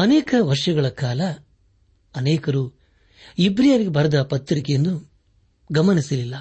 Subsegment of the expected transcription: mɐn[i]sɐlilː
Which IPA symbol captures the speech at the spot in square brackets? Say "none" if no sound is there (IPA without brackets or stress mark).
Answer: i